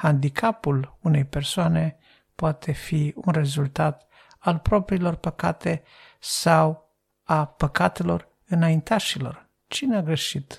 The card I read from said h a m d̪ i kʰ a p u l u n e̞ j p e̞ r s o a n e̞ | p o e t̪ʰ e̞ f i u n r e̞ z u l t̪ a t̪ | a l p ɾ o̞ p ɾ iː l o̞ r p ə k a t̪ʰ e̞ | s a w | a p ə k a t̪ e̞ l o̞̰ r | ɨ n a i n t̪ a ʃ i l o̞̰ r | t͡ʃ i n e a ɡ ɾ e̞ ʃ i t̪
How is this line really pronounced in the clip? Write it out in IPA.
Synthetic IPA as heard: h a n d̪ i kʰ a p u l u n e̞ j p e̞ r s o a n e̞ | p o a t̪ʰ e̞ f i u n r e̞ z u l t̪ a t̪ | a l p ɾ o̞ p ɾ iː l o̞ r p ə k a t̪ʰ e̞ | s a w | a p ə k a t̪ e̞ l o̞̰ r | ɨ n a i n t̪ a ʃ i l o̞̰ r | t͡ʃ i n e a ɡ ɾ e̞ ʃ i t̪